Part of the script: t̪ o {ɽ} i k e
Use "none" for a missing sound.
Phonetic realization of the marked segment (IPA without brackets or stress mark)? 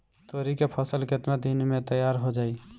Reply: ɾ